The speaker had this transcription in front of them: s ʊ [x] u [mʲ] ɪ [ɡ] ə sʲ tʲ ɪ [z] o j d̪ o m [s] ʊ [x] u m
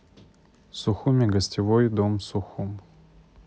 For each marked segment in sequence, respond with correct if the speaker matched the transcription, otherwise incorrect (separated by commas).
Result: correct, correct, correct, incorrect, correct, correct